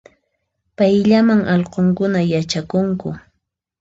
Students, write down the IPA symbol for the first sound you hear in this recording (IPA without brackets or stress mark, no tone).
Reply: p